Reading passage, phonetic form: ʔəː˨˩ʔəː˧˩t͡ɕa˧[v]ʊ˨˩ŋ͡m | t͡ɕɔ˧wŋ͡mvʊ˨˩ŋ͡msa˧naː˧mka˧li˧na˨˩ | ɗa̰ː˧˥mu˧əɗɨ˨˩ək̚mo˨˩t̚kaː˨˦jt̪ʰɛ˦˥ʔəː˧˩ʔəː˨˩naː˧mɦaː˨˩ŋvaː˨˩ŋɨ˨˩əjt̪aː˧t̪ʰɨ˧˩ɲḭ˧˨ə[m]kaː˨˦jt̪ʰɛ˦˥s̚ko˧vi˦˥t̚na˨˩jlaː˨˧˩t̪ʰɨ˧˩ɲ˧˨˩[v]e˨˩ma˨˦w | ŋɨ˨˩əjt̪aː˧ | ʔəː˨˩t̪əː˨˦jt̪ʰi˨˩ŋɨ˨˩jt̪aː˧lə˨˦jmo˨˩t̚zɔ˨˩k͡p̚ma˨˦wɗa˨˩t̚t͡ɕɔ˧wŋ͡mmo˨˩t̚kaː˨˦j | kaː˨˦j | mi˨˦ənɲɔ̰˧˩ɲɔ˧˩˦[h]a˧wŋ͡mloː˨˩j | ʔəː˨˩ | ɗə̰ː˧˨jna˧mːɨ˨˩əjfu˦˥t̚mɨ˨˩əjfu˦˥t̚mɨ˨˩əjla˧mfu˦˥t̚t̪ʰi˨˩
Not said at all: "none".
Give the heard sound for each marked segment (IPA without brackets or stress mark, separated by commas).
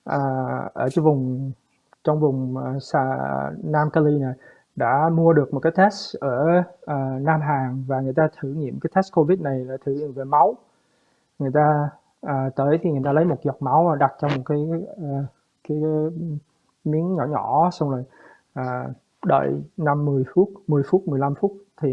v, m, v, s